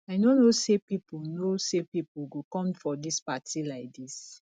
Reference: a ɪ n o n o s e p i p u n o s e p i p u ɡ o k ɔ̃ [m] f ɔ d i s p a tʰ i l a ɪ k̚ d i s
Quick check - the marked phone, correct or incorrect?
correct